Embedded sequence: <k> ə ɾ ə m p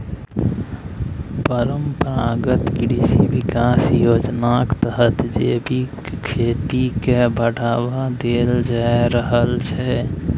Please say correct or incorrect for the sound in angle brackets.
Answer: incorrect